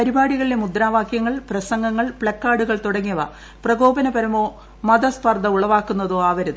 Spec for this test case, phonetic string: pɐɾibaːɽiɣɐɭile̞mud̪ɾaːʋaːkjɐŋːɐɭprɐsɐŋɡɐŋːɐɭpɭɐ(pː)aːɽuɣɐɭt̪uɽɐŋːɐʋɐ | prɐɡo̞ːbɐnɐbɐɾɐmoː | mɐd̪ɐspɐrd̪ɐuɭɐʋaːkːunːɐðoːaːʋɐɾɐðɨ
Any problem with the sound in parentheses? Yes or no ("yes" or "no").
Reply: yes